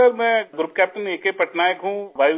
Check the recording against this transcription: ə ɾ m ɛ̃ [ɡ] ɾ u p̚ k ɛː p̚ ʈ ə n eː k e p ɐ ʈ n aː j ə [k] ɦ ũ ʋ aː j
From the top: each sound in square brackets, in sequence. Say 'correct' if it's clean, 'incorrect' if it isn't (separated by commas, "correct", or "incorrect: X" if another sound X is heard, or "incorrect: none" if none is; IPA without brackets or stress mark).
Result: correct, correct